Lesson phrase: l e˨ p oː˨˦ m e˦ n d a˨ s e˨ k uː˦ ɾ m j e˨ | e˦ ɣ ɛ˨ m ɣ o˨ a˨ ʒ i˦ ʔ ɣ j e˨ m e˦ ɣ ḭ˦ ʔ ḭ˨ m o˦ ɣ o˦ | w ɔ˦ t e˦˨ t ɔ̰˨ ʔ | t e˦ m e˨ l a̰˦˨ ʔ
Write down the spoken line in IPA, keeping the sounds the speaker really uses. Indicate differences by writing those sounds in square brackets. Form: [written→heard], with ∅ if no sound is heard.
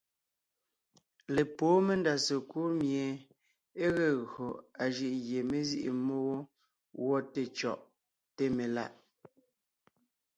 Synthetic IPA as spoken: l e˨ p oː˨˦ m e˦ n d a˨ s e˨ k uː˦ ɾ m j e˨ | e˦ ɣ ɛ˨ [m→∅] ɣ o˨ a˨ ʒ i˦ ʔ ɣ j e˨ m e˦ [ɣ→z] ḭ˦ ʔ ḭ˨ m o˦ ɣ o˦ | w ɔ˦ t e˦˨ [t→t͡ʃ] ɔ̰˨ ʔ | t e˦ m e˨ l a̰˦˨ ʔ

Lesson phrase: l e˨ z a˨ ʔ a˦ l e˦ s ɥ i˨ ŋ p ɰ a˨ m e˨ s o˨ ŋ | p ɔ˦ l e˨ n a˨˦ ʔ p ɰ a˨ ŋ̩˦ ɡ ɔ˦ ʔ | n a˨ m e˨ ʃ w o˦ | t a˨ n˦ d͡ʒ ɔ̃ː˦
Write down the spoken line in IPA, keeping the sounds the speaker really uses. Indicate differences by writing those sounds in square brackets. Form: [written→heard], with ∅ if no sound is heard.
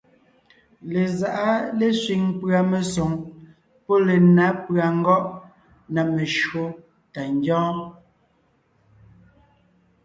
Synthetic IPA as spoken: l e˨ z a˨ ʔ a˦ l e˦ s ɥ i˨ ŋ p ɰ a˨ m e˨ s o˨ ŋ | p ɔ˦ l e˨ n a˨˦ [ʔ→∅] p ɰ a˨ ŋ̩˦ ɡ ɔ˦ ʔ | n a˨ m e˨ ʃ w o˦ | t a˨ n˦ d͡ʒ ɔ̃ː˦

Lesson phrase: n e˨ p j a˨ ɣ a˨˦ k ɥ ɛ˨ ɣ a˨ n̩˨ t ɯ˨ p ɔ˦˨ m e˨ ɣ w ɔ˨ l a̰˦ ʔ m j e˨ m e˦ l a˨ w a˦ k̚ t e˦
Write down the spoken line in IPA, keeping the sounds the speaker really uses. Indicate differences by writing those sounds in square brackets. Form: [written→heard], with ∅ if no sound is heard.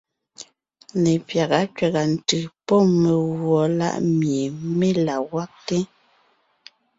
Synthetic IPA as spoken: n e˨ p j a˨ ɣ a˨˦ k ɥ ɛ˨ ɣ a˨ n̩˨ t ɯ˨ p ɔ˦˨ m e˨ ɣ w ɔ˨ l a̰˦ ʔ m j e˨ m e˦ l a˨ w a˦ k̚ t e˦

